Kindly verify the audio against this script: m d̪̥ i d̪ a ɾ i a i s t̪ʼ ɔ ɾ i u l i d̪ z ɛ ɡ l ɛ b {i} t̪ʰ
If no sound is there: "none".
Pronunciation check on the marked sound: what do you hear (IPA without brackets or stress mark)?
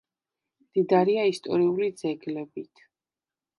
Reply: i